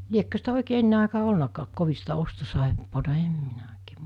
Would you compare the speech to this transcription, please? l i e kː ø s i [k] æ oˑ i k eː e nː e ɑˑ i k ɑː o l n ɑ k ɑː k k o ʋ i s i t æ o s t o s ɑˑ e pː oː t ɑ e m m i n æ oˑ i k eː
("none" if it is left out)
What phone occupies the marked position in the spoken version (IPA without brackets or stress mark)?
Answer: t